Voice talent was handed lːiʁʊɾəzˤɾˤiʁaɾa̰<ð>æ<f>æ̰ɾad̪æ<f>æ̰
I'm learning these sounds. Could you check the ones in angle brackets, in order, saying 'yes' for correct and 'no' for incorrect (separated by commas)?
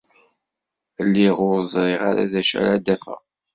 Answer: yes, no, yes